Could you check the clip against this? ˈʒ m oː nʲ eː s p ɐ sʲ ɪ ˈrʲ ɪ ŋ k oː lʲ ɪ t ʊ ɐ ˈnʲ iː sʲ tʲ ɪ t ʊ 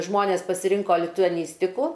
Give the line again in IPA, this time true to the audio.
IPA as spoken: ˈʒ m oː nʲ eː s p ɐ sʲ ɪ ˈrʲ ɪ ŋ k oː lʲ ɪ t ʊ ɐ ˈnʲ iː sʲ tʲ ɪ k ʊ

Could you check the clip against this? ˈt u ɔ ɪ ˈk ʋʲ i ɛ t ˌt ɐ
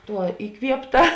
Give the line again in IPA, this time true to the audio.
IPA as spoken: ˈt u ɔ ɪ ˈk ʋʲ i ɛ p ˌt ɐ

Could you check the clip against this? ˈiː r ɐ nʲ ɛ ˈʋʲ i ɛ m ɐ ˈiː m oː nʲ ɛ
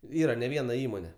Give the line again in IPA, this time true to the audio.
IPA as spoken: ˈiː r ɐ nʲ ɛ ˈʋʲ i ɛ n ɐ ˈiː m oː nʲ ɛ

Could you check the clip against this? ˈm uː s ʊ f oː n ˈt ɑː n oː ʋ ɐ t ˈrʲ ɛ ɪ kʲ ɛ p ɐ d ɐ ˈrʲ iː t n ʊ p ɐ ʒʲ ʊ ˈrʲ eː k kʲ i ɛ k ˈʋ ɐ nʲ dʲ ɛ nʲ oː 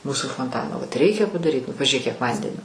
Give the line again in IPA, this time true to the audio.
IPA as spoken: ˈm uː s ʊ f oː n ˈt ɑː n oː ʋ ɐ t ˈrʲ ɛ ɪ kʲ ɛ p ɐ d ɐ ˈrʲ iː t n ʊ p ɐ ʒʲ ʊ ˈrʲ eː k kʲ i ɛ k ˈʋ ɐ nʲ dʲ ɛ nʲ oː

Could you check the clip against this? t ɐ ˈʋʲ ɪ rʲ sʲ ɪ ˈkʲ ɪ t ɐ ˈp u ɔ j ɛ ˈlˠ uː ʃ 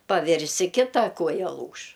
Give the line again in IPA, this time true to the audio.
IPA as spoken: p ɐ ˈʋʲ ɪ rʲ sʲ ɪ ˈkʲ ɪ t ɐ ˈk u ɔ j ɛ ˈlˠ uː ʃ

